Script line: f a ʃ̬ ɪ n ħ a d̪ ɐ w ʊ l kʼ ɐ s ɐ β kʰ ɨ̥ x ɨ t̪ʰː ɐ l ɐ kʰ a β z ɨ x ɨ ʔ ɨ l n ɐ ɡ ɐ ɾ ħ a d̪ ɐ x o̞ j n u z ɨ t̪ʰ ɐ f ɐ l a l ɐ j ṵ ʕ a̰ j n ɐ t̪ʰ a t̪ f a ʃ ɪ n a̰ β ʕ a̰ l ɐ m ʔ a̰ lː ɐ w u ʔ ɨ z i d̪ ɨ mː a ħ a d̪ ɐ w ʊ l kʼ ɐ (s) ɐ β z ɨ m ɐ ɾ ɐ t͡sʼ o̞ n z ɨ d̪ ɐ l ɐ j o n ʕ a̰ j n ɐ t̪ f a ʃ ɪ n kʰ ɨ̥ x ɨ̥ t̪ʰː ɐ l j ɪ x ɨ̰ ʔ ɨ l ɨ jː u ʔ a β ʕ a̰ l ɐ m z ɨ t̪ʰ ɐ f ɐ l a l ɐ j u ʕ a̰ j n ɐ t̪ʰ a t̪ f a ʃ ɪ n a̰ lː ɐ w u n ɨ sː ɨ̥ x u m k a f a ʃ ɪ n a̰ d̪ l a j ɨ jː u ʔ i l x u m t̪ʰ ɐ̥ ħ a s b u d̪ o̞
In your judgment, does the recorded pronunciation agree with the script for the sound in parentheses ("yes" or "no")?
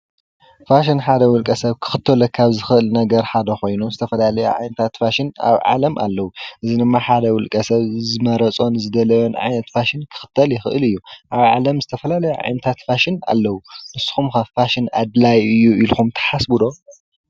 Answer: yes